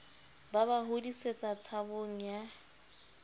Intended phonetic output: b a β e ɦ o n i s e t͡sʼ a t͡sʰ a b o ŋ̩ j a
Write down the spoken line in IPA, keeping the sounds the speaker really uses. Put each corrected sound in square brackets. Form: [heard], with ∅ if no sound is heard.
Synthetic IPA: b a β [a] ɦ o [d] i s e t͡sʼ a t͡sʰ a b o ŋ̩ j a